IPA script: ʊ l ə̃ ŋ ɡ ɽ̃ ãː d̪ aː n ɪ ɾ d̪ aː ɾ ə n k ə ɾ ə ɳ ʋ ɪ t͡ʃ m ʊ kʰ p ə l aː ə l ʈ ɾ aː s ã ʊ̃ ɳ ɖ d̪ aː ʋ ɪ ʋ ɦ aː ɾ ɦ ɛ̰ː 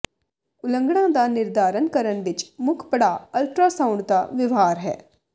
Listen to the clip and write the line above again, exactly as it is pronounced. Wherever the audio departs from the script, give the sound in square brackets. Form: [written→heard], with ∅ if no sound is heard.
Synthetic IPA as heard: ʊ l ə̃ ŋ ɡ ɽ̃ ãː d̪ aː n ɪ ɾ d̪ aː ɾ ə n k ə ɾ ə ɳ ʋ ɪ t͡ʃ m ʊ kʰ p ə [l→ɽ] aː ə l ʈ ɾ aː s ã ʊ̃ ɳ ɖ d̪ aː ʋ ɪ ʋ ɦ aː ɾ ɦ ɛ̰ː